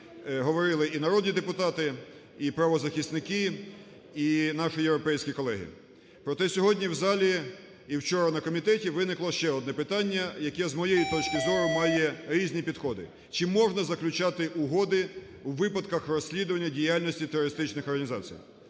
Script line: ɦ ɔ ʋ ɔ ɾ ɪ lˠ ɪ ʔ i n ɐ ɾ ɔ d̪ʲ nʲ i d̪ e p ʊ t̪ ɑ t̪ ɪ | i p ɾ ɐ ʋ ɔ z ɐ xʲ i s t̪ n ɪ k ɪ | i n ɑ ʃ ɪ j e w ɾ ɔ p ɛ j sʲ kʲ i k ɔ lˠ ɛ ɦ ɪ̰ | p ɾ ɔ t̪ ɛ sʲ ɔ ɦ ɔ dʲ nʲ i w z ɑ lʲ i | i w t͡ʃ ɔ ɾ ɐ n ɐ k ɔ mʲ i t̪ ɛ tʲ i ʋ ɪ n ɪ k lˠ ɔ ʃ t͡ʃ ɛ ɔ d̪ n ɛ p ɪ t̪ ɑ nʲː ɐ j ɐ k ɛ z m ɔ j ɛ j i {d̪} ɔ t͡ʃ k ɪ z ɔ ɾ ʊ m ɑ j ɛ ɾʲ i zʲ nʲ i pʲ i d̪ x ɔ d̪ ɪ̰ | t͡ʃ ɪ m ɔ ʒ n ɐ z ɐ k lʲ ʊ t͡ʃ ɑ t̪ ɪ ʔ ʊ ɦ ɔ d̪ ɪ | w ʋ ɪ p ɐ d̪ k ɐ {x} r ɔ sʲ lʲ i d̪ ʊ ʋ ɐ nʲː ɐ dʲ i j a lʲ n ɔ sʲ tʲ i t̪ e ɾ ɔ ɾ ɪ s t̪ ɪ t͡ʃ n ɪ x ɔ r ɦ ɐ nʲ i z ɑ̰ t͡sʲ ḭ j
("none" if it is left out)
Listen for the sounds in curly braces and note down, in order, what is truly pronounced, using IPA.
t̪, x

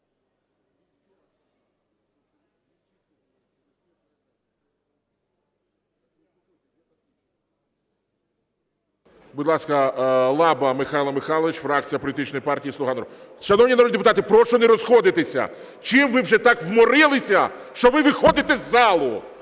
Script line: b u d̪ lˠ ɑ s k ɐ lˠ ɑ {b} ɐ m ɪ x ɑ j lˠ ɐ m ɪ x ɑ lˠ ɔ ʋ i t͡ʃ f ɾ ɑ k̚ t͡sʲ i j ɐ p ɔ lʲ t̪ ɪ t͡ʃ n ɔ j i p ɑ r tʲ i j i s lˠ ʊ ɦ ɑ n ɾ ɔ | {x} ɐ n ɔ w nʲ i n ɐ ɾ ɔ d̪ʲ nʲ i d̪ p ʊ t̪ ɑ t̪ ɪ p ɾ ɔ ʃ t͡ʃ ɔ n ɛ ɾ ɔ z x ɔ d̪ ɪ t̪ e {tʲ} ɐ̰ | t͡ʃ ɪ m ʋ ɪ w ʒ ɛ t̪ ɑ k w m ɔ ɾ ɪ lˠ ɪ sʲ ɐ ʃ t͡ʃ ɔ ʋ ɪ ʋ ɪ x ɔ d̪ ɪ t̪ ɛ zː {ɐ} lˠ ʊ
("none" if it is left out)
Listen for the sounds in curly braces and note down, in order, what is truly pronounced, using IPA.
b, ʃ, sʲ, ɑ

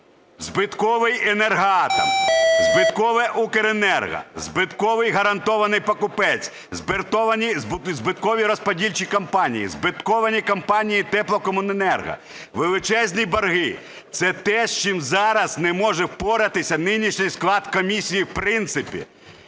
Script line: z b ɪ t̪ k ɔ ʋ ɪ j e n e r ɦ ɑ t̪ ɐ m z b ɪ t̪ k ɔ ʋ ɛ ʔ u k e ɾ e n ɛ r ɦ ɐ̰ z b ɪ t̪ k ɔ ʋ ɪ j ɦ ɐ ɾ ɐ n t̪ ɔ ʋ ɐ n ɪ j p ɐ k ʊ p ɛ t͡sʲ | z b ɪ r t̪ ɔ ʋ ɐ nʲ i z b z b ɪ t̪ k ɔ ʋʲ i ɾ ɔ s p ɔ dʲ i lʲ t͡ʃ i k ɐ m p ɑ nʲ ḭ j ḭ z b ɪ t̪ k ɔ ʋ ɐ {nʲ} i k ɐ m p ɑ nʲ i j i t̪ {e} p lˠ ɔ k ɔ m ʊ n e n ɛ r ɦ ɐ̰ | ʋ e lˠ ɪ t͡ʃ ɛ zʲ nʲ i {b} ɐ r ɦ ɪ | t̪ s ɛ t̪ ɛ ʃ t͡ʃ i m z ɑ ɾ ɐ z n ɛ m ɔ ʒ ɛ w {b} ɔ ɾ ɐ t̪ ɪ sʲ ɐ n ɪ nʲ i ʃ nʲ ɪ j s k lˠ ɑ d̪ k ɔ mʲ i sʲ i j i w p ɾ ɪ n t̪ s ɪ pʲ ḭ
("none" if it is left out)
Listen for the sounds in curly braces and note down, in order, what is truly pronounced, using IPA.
nʲ, ɛ, b, p

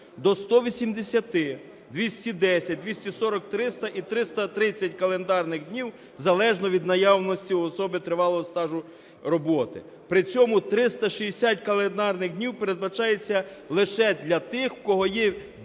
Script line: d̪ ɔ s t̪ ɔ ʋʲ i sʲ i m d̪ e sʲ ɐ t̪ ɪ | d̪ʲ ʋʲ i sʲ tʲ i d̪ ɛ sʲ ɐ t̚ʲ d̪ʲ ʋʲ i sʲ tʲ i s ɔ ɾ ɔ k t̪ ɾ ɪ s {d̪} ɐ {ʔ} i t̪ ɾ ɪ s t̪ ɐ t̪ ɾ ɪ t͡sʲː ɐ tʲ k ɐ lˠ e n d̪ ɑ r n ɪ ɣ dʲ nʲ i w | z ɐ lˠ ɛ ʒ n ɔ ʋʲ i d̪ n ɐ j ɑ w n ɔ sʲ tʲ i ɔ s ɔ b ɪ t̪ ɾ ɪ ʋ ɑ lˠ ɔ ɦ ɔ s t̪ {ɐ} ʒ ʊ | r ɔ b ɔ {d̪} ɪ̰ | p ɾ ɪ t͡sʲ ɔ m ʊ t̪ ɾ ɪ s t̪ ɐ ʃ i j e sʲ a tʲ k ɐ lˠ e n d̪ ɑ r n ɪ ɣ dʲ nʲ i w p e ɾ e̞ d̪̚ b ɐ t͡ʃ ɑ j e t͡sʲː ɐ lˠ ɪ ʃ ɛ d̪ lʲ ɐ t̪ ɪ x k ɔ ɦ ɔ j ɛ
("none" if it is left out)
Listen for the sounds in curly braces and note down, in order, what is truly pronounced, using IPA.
t̪, ʔ, ɑ, t̪

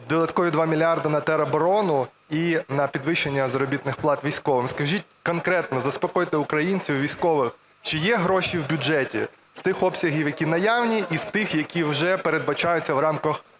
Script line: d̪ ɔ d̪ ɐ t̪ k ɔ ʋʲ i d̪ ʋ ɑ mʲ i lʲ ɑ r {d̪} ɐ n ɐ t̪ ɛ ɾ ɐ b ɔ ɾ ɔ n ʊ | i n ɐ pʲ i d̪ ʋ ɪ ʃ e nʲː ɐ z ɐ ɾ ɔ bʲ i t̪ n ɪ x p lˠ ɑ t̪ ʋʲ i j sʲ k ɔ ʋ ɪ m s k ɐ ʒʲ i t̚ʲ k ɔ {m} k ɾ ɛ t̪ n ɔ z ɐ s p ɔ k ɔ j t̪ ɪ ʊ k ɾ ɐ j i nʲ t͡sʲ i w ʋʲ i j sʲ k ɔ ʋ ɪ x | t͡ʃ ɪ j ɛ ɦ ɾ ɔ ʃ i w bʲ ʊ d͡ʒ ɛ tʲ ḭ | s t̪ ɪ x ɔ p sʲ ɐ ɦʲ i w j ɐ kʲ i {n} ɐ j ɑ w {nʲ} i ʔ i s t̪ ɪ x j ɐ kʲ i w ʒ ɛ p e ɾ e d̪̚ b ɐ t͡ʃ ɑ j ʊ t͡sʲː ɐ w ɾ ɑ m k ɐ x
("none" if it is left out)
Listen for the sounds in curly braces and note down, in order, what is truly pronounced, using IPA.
d̪, n, n, nʲ

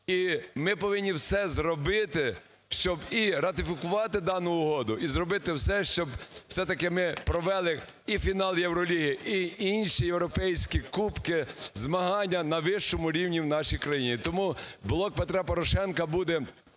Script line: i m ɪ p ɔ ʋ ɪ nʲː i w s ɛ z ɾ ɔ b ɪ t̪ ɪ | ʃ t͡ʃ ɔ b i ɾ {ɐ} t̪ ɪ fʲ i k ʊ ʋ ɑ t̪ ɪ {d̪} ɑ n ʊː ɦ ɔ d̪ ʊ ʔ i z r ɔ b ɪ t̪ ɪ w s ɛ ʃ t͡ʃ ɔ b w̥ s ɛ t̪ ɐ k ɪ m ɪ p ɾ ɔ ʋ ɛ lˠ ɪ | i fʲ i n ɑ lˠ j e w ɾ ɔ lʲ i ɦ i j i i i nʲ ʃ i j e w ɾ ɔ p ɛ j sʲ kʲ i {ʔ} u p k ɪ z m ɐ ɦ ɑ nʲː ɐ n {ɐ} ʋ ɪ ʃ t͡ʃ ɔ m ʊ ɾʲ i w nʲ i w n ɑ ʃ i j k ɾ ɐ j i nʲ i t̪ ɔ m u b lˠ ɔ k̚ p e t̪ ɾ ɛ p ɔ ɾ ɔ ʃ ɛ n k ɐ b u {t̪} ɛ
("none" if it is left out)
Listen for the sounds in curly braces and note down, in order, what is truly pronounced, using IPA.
ɐ, d̪, k, ɐ, d̪

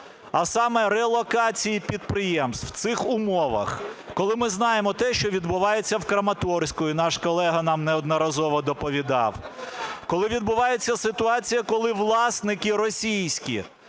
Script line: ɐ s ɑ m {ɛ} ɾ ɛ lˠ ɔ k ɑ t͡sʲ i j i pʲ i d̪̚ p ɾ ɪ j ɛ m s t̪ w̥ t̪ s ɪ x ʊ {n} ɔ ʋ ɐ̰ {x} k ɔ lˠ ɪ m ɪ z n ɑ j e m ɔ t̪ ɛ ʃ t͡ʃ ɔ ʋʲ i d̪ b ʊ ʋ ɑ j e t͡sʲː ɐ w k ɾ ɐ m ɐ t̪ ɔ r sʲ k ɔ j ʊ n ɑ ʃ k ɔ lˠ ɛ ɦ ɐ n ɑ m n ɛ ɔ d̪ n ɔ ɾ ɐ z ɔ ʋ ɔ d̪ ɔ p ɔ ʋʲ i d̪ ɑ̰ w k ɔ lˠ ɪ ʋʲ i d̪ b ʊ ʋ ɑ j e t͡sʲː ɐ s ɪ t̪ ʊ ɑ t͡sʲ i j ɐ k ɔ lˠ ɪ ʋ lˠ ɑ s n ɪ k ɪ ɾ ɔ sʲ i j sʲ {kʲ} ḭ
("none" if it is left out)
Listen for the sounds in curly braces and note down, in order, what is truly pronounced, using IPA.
ɛ, m, x, kʲ

